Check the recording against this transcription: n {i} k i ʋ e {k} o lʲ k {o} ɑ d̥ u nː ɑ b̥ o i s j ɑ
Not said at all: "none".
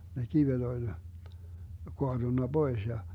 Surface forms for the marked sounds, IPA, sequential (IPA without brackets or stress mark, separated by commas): e, t, o